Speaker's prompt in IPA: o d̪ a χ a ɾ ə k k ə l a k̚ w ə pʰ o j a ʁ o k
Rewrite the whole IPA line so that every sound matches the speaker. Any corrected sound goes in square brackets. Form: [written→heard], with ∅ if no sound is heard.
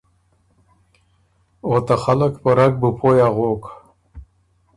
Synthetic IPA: o [d̪→t̪] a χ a [ɾ→l] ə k [k→p] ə [l→ɾ] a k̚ [w→b] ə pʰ o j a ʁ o k